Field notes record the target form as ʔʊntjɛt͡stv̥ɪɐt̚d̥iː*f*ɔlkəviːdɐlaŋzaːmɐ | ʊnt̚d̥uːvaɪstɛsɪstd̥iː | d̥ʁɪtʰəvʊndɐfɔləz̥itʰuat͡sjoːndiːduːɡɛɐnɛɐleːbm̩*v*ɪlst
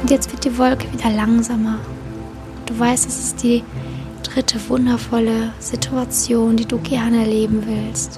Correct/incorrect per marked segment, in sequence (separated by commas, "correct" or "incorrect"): incorrect, correct